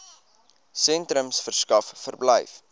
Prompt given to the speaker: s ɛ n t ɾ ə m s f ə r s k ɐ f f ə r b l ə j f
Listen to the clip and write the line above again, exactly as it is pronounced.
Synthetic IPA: s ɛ n t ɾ ə m s f ə r s k ɐ f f ə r b l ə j f